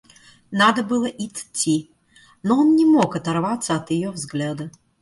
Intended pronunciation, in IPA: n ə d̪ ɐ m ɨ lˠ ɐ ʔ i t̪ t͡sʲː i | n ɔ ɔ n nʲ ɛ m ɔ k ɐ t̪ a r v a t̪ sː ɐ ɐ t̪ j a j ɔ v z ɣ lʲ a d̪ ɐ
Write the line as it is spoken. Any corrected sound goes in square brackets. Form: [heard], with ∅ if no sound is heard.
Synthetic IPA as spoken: n [a] d̪ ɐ [b] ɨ lˠ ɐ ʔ i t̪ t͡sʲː i | n ɔ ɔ n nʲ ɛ m ɔ k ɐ t̪ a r v a t̪ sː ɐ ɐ t̪ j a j ɔ v z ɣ lʲ a d̪ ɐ